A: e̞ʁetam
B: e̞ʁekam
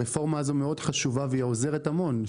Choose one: A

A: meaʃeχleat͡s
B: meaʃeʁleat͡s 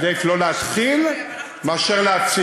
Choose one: B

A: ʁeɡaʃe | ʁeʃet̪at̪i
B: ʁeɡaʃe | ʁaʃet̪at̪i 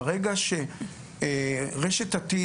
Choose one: A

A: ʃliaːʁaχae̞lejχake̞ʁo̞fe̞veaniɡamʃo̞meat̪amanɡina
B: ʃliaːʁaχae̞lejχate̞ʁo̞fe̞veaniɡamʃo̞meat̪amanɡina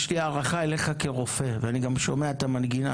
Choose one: A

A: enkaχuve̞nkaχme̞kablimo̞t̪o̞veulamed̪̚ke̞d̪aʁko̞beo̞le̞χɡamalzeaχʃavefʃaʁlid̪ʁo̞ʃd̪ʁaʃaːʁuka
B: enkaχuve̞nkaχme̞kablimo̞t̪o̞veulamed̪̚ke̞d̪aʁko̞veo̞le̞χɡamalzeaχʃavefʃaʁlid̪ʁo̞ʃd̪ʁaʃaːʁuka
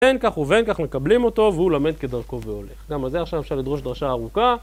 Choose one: B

